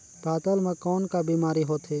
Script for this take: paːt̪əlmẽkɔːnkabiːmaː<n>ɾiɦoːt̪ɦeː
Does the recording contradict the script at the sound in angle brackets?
yes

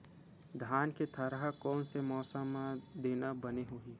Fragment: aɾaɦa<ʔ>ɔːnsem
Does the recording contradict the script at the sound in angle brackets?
yes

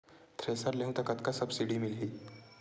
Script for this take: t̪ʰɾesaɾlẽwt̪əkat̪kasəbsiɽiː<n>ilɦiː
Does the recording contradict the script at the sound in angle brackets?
yes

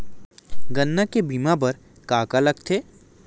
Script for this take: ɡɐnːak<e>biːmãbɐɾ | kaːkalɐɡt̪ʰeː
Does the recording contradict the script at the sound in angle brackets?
no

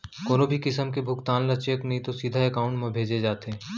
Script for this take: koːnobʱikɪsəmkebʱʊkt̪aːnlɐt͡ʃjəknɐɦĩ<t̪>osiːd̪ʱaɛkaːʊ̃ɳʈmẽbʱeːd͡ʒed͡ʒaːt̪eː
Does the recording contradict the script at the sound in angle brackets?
no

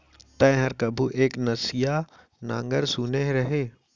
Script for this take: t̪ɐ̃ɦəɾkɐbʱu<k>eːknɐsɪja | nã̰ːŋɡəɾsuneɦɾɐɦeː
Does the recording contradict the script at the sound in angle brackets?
yes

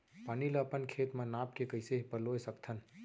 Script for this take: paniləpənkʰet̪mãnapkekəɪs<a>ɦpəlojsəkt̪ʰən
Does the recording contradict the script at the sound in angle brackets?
yes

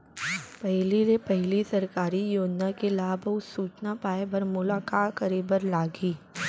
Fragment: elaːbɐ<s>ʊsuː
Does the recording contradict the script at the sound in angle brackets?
yes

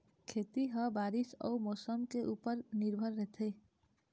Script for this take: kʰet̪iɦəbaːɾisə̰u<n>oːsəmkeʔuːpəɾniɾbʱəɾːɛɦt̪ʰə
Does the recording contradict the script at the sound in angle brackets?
yes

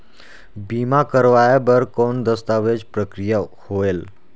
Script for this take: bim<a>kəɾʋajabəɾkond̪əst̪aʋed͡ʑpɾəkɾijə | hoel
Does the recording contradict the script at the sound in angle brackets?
no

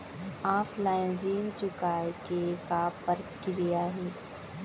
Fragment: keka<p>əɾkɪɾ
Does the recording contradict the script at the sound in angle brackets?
no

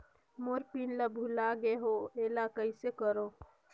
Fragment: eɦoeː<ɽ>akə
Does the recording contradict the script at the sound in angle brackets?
yes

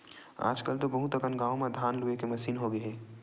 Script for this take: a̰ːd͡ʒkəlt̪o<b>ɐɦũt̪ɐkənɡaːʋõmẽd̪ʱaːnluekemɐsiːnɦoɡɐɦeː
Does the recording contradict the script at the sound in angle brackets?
no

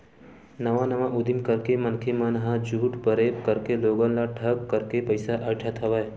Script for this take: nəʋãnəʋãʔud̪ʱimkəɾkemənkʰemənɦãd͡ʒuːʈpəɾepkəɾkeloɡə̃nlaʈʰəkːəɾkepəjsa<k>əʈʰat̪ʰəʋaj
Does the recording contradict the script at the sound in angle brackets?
yes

